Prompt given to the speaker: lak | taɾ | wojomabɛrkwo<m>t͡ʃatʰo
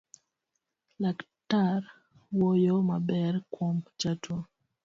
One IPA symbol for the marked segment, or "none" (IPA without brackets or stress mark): m